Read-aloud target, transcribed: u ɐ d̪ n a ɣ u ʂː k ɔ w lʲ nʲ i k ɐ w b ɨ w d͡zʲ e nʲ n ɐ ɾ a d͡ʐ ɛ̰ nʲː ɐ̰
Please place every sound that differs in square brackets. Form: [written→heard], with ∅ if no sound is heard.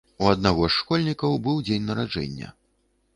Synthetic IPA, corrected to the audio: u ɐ d̪ n a ɣ [u→ɔ] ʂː k ɔ [w→∅] lʲ nʲ i k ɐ w b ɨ w d͡zʲ e nʲ n ɐ ɾ a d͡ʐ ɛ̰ nʲː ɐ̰